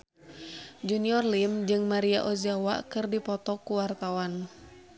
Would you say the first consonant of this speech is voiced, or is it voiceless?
voiced